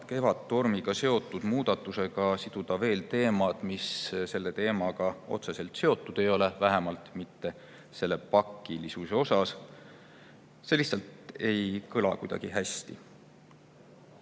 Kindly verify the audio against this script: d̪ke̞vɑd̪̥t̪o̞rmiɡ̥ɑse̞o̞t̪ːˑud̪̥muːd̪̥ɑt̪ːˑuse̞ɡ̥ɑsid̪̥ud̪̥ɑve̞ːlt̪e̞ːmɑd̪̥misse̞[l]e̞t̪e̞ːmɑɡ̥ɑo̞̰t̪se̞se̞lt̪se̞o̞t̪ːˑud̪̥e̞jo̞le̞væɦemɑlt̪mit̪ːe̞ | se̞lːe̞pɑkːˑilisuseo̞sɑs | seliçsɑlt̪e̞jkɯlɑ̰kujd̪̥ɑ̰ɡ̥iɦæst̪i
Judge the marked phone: incorrect: lː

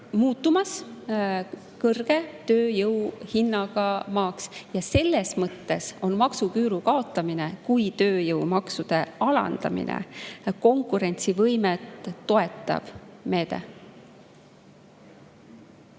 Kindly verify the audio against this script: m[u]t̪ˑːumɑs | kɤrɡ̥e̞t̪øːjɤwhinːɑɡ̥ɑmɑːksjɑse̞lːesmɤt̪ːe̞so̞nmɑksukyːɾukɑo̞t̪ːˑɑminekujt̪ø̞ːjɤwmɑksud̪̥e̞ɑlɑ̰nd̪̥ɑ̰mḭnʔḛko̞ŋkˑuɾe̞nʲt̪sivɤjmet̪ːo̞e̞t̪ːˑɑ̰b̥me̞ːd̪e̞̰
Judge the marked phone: incorrect: uː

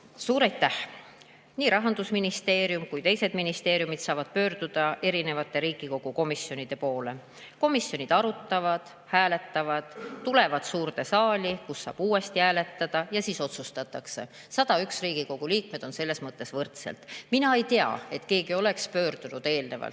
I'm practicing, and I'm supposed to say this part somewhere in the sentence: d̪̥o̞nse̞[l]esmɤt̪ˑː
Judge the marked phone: incorrect: lː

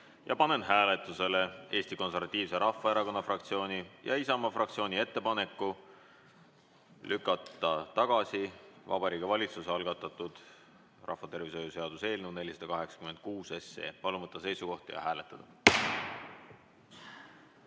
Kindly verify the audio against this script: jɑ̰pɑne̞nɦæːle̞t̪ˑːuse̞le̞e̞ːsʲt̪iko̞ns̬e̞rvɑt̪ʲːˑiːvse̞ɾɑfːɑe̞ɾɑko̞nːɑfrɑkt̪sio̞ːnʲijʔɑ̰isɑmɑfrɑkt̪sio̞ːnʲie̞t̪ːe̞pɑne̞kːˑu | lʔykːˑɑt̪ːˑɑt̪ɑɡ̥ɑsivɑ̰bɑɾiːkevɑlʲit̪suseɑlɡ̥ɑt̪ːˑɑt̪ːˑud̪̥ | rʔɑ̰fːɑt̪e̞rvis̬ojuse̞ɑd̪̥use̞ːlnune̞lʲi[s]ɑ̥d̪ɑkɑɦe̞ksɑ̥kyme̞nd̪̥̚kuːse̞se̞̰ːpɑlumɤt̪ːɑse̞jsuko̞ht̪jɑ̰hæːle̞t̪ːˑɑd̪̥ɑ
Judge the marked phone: correct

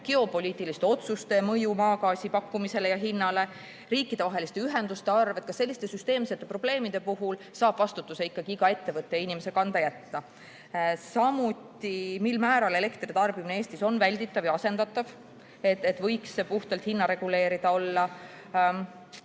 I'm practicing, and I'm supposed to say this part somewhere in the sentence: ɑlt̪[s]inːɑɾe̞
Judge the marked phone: incorrect: h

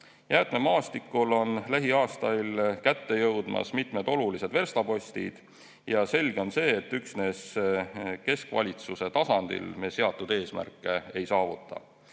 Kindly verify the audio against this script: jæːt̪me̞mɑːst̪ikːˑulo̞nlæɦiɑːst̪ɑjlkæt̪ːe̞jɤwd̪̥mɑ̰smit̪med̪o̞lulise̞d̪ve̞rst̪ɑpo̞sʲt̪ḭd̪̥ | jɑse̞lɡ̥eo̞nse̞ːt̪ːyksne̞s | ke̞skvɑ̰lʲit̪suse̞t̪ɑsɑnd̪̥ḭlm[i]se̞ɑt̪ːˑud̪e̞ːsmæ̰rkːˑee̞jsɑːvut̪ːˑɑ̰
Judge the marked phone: incorrect: e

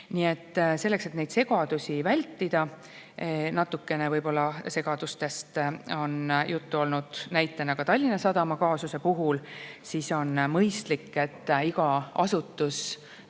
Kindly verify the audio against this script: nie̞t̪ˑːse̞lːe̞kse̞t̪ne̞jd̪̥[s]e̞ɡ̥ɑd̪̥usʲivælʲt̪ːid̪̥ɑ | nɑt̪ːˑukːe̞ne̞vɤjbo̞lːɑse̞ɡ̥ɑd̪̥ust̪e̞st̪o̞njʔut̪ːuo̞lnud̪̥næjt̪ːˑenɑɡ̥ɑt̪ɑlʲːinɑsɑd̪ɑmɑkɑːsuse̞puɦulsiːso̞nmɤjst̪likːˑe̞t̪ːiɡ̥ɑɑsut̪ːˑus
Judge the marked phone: correct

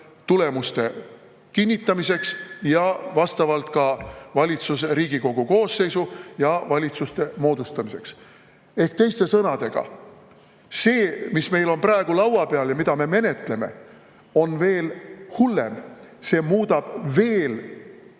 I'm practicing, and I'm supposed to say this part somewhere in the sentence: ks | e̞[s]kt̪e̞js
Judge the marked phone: incorrect: h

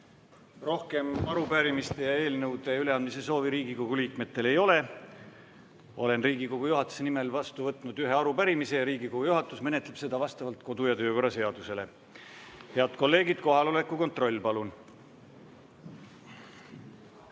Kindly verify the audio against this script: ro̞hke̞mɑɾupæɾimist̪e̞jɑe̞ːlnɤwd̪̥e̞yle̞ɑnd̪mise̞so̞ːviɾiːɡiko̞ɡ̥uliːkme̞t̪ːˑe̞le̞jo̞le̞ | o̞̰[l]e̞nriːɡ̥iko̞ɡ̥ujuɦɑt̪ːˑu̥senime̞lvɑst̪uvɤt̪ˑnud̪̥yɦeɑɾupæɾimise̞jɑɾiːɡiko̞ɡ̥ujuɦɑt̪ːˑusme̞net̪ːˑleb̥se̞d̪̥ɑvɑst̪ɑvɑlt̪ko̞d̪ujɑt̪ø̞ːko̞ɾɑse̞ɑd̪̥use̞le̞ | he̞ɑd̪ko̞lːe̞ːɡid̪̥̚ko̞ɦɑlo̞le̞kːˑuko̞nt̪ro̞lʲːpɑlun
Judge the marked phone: correct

